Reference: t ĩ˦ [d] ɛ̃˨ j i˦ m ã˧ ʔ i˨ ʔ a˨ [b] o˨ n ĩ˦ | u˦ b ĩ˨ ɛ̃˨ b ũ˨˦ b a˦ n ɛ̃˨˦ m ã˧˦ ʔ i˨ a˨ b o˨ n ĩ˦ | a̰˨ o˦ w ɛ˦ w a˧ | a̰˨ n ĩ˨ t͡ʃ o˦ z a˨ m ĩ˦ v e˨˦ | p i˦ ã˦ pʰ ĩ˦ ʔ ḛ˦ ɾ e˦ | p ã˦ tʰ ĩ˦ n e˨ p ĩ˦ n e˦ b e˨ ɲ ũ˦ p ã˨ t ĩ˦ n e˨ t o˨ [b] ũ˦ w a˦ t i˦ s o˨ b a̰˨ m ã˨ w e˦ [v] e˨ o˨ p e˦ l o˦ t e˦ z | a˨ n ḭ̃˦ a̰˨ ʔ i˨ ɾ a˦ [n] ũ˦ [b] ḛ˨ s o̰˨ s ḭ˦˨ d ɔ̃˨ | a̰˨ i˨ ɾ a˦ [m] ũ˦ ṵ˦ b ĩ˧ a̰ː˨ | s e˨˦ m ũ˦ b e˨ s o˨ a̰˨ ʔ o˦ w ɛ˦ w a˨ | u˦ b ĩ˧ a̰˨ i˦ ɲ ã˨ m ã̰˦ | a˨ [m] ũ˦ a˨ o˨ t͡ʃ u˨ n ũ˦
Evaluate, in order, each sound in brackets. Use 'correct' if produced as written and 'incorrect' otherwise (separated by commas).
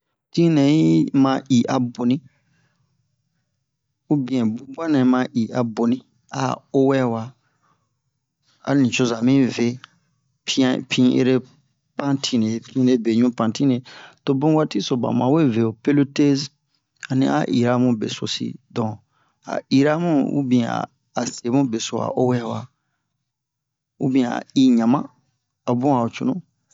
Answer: incorrect, correct, correct, correct, incorrect, correct, correct, incorrect